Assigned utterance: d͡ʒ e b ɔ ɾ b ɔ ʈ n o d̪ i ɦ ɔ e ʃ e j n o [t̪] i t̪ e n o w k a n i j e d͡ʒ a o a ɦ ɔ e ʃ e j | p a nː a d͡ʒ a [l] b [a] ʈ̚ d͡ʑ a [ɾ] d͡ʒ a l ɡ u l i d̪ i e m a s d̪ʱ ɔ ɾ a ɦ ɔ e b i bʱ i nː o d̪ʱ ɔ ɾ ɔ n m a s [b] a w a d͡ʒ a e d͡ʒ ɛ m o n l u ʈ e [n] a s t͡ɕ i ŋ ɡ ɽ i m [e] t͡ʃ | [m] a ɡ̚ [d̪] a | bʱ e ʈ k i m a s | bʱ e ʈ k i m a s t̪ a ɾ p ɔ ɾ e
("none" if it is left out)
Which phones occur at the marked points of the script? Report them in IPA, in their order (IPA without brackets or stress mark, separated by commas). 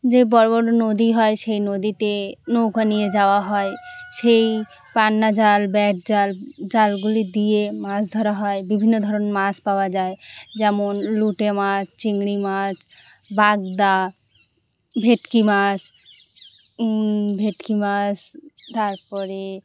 d̪, l, ɛ, l, p, m, a, b, d̪